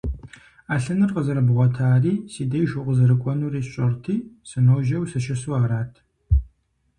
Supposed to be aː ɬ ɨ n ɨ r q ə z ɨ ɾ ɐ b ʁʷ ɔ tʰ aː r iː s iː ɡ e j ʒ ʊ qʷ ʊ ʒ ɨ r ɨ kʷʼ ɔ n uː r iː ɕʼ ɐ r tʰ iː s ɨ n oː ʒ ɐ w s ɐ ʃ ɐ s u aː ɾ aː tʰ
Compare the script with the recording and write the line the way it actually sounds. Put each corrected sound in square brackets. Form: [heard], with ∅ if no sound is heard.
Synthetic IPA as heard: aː ɬ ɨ n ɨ r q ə z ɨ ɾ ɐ b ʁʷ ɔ tʰ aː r iː s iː [d] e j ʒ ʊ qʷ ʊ [z] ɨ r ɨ kʷʼ ɔ n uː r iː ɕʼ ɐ r tʰ iː s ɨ n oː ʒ ɐ w s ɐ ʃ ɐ s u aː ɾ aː tʰ